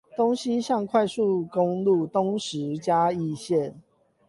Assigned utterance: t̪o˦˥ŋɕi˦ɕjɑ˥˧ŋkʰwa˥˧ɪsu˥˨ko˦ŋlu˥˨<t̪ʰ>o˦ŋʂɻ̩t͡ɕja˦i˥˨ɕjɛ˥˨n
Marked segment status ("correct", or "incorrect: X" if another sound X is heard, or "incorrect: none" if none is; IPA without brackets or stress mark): incorrect: t̪